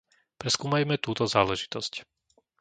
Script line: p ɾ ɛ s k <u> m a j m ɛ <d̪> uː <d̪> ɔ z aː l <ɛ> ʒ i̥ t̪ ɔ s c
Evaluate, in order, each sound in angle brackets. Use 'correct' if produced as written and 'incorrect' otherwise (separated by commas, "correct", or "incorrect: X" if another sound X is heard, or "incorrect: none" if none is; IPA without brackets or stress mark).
incorrect: uː, incorrect: t̪, incorrect: t̪, correct